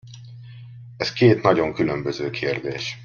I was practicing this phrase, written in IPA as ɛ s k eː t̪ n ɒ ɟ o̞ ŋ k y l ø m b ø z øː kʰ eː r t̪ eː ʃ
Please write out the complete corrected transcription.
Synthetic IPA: ɛ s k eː t̪ n ɒ ɟ o̞ ŋ k y l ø m b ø z øː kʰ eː r d̪ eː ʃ